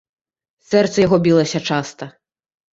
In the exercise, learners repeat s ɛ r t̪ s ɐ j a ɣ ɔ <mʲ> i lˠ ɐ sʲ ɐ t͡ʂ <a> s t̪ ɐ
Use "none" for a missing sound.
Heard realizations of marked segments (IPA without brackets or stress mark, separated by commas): bʲ, a